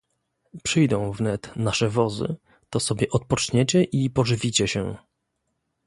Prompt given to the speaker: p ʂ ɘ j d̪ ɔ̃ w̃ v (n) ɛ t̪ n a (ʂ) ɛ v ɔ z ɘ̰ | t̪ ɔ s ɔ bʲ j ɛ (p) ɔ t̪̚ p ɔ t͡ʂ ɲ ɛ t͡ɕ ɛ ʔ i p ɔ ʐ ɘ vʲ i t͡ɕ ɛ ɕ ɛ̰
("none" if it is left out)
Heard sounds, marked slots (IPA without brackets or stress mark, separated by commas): n, ʂ, ʔ